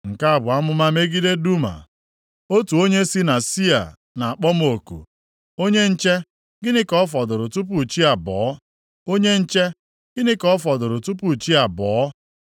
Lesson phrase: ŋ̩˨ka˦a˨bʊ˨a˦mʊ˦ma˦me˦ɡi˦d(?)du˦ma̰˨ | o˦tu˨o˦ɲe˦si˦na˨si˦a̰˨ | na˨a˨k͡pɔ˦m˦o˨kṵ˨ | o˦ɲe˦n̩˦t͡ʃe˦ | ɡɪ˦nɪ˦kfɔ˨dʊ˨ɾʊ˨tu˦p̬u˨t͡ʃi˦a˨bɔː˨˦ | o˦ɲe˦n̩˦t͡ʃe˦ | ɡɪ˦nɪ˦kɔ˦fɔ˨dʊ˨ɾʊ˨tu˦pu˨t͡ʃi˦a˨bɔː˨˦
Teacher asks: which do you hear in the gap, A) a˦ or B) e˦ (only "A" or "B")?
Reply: B